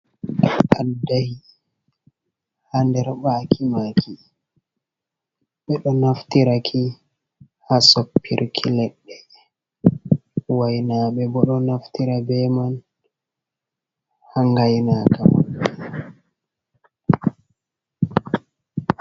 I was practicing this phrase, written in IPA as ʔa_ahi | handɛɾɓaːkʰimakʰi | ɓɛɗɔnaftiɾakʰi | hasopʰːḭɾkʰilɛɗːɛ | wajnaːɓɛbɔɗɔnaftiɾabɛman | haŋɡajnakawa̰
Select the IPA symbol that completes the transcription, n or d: d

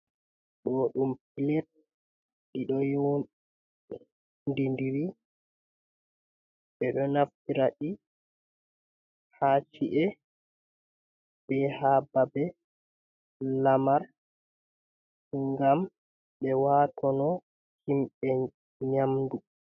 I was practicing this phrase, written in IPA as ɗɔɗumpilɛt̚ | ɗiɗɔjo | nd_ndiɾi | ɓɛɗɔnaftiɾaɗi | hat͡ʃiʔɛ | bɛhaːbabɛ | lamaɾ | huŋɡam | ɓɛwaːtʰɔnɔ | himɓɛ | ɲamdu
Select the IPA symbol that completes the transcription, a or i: i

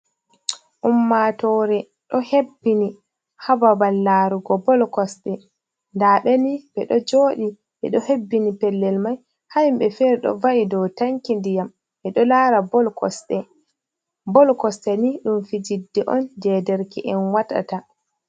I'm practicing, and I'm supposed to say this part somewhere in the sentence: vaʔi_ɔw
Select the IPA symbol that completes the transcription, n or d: d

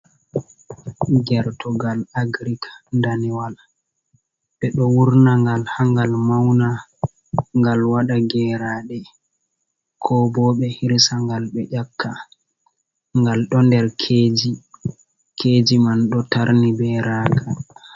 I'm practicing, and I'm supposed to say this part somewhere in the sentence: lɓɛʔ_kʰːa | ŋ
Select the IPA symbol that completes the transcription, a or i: a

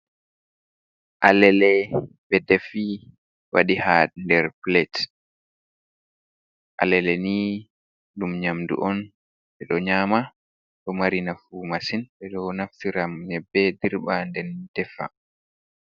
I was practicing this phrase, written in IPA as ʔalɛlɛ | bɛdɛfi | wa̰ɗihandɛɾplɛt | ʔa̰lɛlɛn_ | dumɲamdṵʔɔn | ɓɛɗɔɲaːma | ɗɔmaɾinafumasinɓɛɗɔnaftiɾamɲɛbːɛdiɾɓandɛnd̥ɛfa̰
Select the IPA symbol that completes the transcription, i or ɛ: i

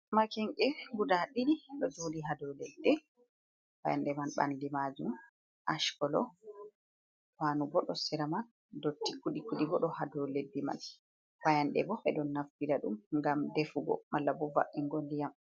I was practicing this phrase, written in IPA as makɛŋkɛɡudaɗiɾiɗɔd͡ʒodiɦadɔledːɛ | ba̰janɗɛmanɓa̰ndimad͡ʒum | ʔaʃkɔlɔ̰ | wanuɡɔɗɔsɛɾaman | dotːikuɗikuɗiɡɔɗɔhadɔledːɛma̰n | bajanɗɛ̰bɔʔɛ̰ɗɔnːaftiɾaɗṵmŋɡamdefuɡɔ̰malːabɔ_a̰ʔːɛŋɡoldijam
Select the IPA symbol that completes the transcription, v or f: v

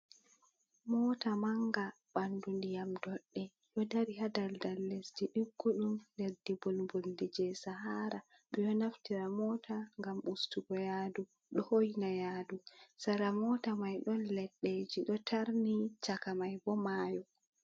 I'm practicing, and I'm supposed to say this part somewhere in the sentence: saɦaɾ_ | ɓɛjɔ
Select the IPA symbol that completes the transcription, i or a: a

